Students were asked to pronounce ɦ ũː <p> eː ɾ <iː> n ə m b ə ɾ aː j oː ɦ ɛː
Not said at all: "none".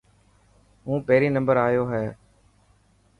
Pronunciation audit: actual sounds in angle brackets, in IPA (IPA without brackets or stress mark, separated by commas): p, iː